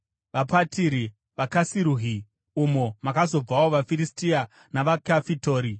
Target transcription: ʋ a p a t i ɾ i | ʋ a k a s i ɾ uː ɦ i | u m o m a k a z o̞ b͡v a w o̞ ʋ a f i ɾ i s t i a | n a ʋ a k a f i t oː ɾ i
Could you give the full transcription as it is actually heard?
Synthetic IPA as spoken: ʋ a p a t i ɾ i | ʋ a k a s i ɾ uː ɦ i | u m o m a k a z o̞ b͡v a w o̞ ʋ a f i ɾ i s t i a | n a ʋ a k a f i t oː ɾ i